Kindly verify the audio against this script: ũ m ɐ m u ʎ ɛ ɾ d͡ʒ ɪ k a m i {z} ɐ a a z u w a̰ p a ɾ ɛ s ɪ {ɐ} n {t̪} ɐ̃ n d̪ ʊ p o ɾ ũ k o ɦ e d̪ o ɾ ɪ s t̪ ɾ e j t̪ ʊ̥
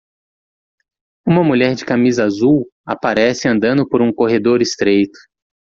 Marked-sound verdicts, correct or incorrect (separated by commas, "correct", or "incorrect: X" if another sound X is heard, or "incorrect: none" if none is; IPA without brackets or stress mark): correct, incorrect: ɐ̃, incorrect: d̪